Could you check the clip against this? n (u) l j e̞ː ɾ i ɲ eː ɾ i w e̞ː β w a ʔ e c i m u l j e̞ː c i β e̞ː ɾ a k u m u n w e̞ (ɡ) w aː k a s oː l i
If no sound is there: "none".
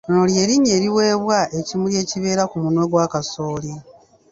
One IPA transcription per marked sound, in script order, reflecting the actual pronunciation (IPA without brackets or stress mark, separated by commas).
o, ɡ